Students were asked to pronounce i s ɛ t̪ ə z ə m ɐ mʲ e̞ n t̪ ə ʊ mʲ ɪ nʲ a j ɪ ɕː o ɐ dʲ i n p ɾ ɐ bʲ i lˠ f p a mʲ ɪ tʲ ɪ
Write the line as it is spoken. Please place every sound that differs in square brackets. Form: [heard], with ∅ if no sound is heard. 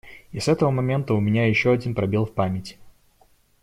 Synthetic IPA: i s ɛ t̪ ə [v] ə m ɐ mʲ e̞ n t̪ ə ʊ mʲ ɪ nʲ a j ɪ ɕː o ɐ dʲ i n p ɾ ɐ bʲ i lˠ f p a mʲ ɪ tʲ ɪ